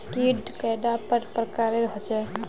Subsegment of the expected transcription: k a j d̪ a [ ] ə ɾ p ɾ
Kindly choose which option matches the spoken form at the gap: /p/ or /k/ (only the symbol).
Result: p